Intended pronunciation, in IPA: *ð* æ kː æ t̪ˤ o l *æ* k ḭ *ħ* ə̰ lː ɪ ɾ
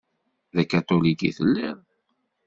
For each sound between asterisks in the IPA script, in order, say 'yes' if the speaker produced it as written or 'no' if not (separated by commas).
yes, no, no